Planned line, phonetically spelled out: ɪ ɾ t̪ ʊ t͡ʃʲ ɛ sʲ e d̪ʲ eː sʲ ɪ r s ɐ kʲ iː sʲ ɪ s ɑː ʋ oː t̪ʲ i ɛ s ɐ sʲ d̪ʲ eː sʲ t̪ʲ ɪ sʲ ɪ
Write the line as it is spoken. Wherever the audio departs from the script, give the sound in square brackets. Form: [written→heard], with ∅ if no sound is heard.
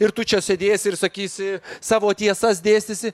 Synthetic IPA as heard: ɪ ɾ t̪ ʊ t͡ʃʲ ɛ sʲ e d̪ʲ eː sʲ ɪ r s ɐ kʲ iː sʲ ɪ s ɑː ʋ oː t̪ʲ i ɛ s ɐ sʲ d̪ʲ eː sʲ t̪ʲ ɪ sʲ ɪ